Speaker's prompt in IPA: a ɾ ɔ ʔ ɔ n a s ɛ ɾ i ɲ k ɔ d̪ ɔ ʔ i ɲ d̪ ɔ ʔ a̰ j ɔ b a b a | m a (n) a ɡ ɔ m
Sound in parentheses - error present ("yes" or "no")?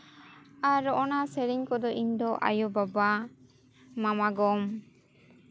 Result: yes